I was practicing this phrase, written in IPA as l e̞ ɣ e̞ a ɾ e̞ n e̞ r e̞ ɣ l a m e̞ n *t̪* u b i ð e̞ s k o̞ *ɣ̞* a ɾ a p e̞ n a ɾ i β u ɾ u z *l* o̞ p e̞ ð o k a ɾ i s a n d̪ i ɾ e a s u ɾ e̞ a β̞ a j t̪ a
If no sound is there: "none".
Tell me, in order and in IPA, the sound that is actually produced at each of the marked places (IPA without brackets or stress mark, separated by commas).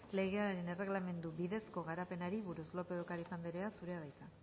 d̪, ɣ̞, l